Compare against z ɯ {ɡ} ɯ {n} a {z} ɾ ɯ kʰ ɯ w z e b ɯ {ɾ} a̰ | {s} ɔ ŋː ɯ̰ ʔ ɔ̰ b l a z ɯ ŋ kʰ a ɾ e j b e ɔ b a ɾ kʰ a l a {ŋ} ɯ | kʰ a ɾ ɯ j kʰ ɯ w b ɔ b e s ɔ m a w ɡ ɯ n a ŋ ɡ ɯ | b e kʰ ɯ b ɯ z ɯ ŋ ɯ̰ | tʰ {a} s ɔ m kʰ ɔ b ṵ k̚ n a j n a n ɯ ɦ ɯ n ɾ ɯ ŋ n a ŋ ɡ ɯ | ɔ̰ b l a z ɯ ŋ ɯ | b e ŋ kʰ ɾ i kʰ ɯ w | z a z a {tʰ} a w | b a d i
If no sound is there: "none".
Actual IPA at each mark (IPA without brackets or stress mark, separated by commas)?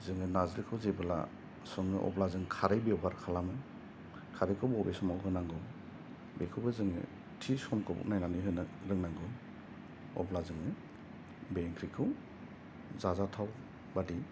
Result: ŋ, n, z, l, s, m, i, tʰ